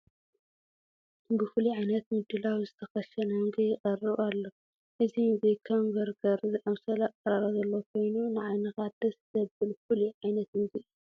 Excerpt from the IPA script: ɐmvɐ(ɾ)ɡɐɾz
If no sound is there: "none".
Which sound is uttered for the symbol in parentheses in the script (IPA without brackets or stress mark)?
ɾ